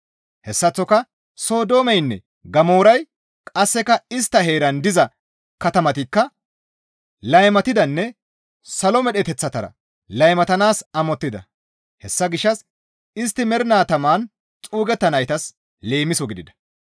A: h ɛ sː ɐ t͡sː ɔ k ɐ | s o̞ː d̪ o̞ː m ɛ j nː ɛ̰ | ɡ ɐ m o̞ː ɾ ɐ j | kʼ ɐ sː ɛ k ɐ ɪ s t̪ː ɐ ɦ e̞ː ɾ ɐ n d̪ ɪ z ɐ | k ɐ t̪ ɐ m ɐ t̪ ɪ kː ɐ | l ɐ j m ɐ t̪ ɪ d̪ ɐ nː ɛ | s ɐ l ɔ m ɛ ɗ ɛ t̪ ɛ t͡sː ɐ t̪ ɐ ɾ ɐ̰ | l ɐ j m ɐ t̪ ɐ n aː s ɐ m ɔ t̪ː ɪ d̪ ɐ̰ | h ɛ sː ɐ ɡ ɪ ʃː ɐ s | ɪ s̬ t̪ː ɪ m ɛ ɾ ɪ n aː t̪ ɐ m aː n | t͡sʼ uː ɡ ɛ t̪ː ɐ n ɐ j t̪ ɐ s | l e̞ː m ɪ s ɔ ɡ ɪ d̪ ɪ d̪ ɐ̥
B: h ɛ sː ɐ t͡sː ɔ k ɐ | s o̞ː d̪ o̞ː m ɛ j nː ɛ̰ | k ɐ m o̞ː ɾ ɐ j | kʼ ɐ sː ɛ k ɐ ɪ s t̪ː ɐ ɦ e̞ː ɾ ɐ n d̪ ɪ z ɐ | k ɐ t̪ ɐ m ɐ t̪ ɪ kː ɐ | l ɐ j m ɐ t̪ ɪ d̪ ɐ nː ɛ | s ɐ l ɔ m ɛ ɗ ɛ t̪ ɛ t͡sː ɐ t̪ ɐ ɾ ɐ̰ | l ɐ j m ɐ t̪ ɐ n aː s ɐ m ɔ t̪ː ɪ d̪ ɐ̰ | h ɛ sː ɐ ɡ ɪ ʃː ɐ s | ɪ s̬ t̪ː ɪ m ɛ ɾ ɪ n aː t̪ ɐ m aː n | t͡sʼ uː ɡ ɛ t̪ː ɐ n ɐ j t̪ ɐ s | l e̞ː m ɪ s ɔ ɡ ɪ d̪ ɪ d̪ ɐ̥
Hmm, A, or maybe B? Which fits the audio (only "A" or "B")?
A